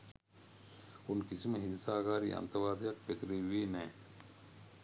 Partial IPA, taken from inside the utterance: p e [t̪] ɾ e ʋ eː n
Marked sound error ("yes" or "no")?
no